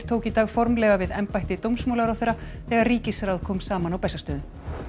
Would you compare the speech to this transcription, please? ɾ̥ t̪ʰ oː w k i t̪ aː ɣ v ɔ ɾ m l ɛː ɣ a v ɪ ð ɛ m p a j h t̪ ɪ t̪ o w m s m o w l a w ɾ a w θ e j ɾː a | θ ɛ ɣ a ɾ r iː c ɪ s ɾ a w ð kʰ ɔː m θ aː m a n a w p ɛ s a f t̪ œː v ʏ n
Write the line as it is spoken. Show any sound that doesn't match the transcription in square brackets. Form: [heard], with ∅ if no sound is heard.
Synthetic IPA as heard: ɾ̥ t̪ʰ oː w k i t̪ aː ɣ [f] ɔ ɾ m l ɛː ɣ a v ɪ ð ɛ m p a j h t̪ ɪ t̪ o w m s m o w l a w ɾ a w θ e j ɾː a | θ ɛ ɣ a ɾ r iː c ɪ s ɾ a w ð kʰ ɔː m [s] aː m a n a w p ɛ s a [s] t̪ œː [ð] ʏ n